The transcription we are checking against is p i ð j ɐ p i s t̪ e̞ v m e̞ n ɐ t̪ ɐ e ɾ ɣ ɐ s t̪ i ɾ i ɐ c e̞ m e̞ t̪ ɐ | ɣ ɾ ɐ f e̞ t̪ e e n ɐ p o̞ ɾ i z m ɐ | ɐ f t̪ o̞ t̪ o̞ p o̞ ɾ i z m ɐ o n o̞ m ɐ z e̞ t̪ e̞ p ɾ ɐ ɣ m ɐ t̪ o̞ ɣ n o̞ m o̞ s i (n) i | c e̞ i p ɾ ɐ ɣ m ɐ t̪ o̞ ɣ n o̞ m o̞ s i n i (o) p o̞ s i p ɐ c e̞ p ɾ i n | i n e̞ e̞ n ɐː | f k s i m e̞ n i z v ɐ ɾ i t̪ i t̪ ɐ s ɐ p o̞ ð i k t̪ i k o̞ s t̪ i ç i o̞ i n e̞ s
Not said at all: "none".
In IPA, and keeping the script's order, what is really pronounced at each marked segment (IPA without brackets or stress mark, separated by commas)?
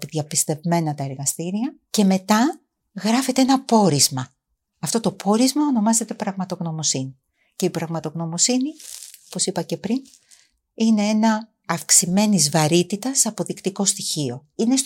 n, o